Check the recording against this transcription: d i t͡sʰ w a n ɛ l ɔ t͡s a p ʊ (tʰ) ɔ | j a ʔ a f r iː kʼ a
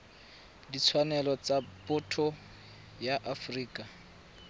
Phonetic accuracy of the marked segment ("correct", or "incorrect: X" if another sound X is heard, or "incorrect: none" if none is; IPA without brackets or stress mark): correct